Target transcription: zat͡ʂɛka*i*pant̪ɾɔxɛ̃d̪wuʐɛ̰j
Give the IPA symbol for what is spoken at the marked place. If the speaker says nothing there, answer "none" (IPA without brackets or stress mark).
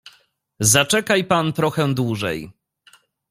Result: j